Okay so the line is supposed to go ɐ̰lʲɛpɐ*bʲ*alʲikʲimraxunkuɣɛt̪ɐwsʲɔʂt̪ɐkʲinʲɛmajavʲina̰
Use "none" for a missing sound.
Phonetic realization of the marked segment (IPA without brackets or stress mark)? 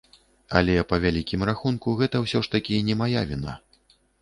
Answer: vʲ